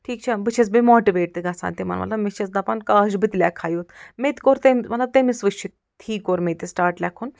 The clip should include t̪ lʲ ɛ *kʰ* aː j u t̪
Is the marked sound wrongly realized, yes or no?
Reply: no